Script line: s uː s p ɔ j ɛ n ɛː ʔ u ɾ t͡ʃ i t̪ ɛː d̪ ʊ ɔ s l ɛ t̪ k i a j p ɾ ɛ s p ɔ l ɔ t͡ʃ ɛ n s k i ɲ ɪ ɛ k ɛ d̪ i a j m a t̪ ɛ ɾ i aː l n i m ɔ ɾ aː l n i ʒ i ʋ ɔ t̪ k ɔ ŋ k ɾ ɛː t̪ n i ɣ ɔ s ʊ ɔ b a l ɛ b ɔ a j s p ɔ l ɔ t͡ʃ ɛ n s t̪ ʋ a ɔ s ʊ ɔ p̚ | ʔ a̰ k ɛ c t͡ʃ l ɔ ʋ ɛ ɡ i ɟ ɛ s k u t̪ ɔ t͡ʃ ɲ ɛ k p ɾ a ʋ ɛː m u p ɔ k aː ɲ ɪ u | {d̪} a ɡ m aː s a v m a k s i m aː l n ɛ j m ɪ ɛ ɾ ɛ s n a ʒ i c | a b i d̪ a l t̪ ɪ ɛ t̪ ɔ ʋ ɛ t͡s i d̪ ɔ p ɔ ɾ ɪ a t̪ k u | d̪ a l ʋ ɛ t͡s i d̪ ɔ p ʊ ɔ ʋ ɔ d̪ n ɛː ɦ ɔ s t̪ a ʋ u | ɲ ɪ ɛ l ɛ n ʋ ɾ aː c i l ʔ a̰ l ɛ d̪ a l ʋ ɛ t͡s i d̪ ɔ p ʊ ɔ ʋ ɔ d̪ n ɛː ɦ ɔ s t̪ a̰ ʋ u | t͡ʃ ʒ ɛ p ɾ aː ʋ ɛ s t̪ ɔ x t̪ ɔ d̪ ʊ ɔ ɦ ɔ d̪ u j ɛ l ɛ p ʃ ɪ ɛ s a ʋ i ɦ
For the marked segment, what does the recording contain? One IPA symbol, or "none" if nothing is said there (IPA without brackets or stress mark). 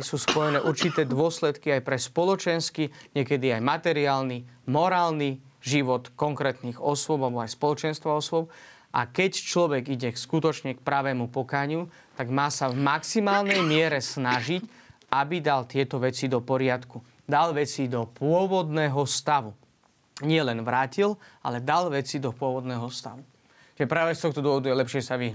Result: t̪